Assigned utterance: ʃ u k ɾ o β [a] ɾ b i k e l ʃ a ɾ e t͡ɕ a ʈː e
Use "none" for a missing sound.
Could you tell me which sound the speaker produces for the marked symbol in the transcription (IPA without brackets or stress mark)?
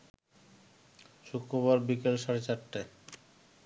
a